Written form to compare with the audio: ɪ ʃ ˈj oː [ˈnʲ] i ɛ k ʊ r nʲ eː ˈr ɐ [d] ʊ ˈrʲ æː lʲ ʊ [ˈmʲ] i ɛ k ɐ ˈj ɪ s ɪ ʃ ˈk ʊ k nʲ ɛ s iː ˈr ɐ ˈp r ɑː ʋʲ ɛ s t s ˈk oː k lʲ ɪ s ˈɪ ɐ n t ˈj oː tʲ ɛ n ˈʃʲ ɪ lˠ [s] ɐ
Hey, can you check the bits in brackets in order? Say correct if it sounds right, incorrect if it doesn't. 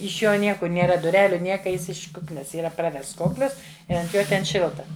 correct, correct, incorrect, incorrect

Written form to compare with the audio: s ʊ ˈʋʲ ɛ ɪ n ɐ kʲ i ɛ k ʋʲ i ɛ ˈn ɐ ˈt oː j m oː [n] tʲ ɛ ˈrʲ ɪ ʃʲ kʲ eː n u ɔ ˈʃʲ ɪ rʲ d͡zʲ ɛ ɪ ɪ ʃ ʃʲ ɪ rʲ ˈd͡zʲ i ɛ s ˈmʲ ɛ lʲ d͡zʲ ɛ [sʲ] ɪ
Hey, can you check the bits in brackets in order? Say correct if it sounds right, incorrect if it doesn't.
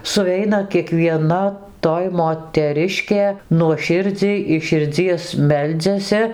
incorrect, correct

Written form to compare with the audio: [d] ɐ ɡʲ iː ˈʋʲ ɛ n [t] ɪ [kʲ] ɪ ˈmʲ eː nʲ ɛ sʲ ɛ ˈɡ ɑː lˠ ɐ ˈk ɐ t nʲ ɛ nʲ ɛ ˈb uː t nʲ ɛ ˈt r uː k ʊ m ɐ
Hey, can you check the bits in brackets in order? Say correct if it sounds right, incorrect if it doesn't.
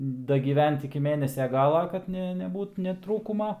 correct, correct, correct

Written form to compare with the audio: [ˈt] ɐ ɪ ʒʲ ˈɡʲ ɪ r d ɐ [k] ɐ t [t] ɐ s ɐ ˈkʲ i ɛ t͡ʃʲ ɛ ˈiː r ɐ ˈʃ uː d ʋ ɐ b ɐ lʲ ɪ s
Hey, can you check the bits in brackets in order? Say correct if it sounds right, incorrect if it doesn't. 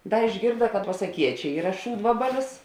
incorrect, correct, incorrect

